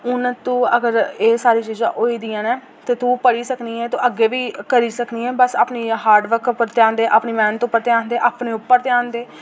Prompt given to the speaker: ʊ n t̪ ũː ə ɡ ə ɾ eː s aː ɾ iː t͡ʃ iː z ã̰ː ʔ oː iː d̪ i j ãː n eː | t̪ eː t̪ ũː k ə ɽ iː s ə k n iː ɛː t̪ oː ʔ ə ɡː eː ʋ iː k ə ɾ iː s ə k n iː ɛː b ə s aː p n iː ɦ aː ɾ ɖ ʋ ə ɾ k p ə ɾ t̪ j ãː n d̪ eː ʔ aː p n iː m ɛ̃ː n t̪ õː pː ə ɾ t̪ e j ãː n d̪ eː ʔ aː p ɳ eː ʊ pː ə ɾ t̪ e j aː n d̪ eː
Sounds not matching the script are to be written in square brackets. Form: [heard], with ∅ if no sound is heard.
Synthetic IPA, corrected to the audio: ʊ n t̪ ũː ə ɡ ə ɾ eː s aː ɾ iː t͡ʃ iː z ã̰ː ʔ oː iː d̪ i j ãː n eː | t̪ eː t̪ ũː [p] ə ɽ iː s ə k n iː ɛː t̪ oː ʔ ə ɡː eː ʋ iː k ə ɾ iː s ə k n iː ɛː b ə s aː p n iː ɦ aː ɾ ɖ ʋ ə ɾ k p ə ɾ t̪ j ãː n d̪ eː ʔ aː p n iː m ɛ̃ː n t̪ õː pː ə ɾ t̪ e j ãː n d̪ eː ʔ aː p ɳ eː ʊ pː ə ɾ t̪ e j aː n d̪ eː